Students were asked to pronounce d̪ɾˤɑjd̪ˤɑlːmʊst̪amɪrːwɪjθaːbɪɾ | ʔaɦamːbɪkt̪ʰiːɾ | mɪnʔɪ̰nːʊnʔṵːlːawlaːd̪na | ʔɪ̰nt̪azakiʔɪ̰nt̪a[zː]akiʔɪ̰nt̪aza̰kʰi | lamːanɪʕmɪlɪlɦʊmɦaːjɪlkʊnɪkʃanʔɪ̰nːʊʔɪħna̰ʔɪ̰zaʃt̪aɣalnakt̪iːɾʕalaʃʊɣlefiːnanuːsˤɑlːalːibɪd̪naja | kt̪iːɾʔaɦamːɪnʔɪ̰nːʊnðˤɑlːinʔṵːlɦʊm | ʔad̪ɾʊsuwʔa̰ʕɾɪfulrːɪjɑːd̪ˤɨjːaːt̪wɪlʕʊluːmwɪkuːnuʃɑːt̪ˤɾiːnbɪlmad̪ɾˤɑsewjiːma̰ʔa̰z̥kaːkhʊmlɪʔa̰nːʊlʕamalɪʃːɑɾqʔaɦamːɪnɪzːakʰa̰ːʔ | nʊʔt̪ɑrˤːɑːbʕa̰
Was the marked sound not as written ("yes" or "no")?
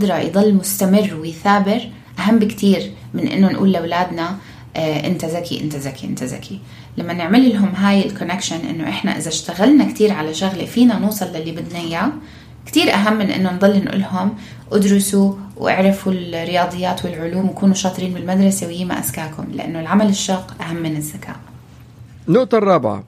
yes